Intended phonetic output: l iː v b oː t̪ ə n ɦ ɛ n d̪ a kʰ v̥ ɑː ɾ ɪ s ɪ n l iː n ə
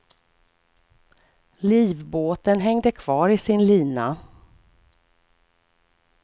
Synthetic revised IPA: l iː v b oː t̪ ə n ɦ ɛ ŋ d̪ ə kʰ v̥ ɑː ɾ ɪ s ɪ n l iː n a